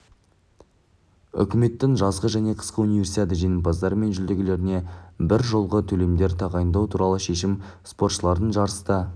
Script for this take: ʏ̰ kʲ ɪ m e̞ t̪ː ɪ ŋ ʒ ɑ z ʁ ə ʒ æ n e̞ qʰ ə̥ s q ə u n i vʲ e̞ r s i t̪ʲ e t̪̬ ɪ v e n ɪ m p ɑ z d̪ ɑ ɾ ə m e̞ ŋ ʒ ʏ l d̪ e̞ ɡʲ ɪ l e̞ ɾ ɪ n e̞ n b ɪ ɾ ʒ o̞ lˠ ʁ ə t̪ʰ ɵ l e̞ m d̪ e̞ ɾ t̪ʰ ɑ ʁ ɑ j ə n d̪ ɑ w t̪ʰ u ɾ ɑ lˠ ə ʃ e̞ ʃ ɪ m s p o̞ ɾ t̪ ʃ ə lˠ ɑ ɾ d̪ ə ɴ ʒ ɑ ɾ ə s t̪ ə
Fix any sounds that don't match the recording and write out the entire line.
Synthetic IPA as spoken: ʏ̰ kʲ ɪ m e̞ t̪ː ɪ ŋ ʒ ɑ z ʁ ə ʒ æ n e̞ qʰ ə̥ s q ə u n i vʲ e̞ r s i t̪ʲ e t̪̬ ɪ ʒ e n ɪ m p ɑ z d̪ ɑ ɾ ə m e̞ n ʒ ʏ l d̪ e̞ ɡʲ ɪ l e̞ ɾ ɪ n e̞ b ɪ ɾ ʒ o̞ lˠ ʁ ə t̪ʰ ɵ l e̞ m d̪ e̞ ɾ t̪ʰ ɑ ʁ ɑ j ə n d̪ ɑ w t̪ʰ u ɾ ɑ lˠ ə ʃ e̞ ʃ ɪ m s p o̞ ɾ t̪ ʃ ə lˠ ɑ ɾ d̪ ə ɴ ʒ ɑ ɾ ə s t̪ ə